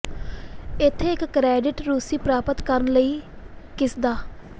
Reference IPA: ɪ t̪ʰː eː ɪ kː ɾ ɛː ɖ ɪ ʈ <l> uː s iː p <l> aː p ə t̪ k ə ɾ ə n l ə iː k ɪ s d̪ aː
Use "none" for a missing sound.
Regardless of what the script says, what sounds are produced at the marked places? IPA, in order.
ɾ, ɾ

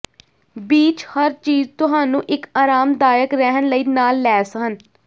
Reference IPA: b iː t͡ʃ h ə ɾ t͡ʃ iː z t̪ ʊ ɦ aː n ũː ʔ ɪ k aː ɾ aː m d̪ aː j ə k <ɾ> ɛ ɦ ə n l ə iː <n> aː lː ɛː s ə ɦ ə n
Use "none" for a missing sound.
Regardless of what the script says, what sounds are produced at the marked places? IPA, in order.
ɾ, n

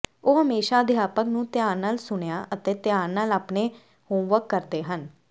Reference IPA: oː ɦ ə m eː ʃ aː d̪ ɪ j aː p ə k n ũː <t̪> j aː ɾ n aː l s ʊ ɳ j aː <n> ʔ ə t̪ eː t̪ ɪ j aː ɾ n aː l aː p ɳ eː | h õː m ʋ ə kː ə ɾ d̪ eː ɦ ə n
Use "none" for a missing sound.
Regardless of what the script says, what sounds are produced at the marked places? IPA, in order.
t̪, none

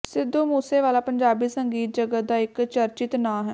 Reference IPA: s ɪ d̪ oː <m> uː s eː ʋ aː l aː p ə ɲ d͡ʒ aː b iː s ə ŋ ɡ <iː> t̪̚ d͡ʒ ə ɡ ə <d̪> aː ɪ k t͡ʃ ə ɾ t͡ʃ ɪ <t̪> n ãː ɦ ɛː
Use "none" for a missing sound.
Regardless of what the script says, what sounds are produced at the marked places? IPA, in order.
m, iː, d̪, t̪

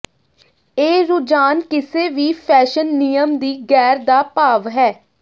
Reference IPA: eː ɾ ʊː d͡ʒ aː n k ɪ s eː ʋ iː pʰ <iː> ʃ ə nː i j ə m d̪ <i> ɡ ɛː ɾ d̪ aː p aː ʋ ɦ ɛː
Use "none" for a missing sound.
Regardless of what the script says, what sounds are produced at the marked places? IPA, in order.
ɛː, iː

